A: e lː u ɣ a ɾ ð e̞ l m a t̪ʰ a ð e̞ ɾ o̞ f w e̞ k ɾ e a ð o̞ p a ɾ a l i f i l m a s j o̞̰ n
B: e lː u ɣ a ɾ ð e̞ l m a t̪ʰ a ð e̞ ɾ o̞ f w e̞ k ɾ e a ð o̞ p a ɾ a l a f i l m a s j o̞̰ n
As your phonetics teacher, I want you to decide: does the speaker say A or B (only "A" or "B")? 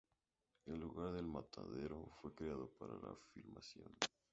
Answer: B